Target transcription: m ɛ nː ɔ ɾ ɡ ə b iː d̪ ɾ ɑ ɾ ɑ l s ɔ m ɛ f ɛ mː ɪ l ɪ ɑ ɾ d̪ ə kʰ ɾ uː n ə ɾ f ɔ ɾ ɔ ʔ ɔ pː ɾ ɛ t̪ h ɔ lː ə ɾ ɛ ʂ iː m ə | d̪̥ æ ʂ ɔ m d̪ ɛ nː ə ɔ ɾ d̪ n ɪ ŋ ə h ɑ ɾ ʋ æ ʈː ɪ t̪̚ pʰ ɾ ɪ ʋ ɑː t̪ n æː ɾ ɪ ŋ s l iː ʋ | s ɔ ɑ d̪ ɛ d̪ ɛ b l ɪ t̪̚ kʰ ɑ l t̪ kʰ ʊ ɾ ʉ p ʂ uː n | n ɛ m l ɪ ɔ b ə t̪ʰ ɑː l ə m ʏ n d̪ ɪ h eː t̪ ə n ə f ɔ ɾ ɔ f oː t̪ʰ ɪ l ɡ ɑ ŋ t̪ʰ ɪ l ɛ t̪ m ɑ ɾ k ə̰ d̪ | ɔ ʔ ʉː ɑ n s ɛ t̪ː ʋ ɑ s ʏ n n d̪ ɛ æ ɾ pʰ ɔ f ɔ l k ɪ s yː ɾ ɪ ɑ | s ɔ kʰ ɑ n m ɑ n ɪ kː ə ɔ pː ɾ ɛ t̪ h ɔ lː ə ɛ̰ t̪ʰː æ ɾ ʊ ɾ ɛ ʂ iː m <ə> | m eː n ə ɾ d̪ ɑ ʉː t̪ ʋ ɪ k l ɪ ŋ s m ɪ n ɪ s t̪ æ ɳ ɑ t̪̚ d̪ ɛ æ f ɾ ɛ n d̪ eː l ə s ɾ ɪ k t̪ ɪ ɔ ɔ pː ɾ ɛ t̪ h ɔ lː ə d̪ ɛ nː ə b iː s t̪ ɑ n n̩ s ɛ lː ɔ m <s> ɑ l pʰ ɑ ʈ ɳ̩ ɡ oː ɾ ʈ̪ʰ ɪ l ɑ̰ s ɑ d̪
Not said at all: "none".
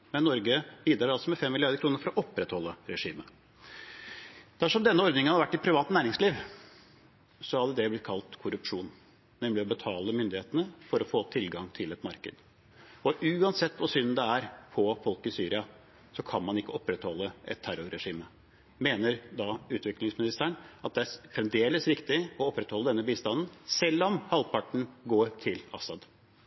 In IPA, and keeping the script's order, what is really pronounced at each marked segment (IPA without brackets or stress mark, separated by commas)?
ə, h